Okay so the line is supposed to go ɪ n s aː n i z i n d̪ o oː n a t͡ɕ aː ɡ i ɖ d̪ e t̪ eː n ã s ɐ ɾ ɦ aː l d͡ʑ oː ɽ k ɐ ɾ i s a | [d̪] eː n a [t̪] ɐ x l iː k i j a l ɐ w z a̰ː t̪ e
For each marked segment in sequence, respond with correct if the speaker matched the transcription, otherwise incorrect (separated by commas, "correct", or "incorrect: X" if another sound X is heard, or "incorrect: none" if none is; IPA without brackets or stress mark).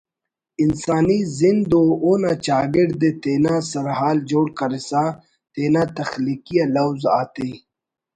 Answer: incorrect: t̪, correct